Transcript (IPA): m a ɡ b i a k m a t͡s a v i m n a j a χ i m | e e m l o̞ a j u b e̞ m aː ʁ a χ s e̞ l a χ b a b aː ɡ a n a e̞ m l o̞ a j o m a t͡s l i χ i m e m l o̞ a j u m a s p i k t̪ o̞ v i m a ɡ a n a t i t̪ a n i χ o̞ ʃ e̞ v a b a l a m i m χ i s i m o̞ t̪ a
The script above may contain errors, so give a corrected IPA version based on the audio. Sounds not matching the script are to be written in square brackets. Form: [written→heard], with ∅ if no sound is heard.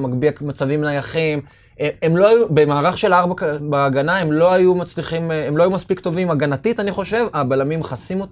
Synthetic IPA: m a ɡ b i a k m a t͡s a v i m n a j a χ i m | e e m l o̞ a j u b e̞ m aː ʁ a χ [s→ʃ] e̞ l a [χ→ʁ] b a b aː ɡ a n a e̞ m l o̞ a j [o→u] m a t͡s l i χ i m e m l o̞ a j u m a s p i k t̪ o̞ v i m a ɡ a n a t i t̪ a n i χ o̞ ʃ e̞ v a b a l a m i m χ [i→a] s i m o̞ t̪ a